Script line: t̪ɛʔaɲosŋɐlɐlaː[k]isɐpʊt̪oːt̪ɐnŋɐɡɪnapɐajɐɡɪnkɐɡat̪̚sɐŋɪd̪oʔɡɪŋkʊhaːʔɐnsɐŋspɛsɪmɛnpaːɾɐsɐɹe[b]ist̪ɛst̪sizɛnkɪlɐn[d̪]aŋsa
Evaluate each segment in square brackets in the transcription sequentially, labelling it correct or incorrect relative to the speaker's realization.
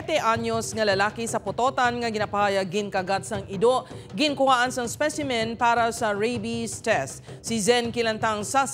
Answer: correct, correct, incorrect: t̪

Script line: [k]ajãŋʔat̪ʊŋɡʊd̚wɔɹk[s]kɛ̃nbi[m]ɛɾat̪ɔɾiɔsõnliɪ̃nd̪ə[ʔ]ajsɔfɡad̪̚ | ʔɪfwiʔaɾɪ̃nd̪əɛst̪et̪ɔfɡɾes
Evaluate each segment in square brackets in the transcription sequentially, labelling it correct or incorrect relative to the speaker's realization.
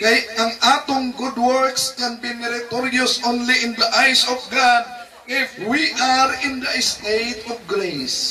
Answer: correct, correct, correct, correct

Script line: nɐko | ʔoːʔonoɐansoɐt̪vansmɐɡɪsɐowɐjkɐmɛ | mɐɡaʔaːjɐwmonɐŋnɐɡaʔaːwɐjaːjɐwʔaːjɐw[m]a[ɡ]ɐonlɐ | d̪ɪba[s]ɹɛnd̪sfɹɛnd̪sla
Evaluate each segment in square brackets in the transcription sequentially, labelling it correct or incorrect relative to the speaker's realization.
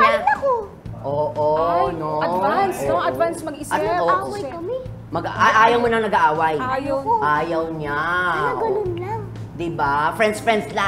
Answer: incorrect: ɲ, correct, incorrect: f

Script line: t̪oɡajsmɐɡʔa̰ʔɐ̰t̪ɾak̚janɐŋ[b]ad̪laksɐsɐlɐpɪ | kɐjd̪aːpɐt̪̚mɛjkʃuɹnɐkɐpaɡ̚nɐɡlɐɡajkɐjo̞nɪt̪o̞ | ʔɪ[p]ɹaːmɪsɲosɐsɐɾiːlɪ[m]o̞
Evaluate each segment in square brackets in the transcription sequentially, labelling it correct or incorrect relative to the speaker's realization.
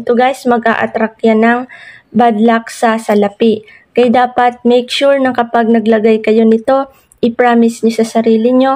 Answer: correct, correct, incorrect: ɲ

